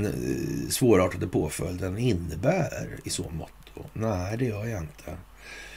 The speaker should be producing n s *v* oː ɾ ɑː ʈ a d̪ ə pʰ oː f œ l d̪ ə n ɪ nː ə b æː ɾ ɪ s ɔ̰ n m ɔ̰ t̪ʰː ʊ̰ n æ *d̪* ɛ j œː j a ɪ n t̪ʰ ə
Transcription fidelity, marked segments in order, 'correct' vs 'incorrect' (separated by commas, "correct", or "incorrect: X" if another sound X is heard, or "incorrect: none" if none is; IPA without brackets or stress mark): correct, correct